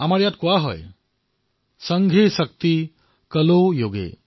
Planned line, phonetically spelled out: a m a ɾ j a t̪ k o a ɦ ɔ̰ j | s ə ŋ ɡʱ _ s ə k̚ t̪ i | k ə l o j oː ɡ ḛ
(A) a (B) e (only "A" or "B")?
B